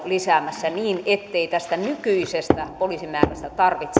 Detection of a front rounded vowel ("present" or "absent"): present